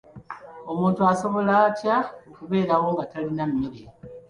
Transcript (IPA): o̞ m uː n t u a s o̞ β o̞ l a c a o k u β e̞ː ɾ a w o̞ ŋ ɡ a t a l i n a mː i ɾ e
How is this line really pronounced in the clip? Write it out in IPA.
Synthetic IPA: o̞ m uː n t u a s o̞ β o̞ l a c a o k u β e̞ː ɾ a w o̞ ŋ ɡ a t a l i n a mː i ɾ e